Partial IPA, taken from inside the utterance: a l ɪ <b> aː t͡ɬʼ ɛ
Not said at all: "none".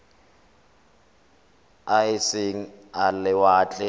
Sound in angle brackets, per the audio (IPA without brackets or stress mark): w